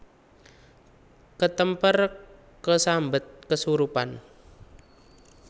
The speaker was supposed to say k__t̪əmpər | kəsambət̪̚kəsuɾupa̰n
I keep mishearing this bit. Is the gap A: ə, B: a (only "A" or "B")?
A